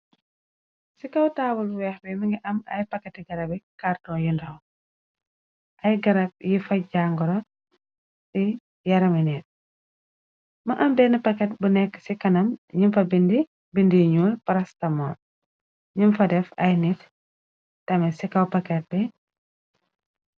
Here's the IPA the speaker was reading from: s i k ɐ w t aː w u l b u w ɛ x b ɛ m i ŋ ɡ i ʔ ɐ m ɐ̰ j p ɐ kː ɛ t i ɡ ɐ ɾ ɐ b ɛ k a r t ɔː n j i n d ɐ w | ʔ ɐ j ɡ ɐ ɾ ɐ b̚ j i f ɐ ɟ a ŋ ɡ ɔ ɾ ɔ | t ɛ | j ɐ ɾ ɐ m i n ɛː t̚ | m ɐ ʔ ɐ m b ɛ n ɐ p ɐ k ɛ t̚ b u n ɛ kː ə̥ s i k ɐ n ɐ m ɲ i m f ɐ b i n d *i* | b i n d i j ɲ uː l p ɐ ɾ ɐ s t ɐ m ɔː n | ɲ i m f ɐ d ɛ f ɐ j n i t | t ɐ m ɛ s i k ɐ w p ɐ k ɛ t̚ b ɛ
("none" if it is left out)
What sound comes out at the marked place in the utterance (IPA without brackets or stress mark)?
i